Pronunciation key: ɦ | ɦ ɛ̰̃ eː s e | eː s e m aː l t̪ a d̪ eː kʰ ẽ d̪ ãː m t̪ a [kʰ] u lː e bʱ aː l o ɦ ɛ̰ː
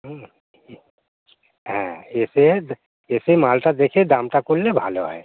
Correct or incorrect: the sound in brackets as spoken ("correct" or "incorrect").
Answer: incorrect